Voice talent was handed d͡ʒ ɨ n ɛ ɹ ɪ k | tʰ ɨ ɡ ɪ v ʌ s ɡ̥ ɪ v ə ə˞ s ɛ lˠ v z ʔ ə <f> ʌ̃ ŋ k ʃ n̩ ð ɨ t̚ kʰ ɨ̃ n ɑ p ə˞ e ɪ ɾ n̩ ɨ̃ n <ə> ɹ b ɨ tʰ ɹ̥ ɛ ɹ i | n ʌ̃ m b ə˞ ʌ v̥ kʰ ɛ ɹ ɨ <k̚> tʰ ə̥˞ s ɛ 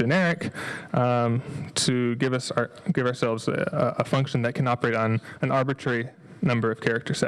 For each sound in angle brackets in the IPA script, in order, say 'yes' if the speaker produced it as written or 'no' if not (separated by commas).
yes, no, yes